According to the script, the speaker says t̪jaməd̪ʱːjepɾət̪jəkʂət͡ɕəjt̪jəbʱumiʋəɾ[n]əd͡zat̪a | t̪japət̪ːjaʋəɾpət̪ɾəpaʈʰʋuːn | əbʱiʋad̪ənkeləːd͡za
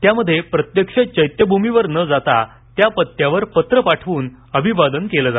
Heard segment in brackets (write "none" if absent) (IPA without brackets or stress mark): n